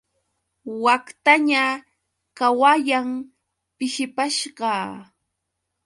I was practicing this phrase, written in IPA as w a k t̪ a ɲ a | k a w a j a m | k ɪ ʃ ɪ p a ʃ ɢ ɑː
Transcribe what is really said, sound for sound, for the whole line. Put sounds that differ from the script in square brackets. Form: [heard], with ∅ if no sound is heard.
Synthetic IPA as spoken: w a k t̪ a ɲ a | k a w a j a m | [p] ɪ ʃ ɪ p a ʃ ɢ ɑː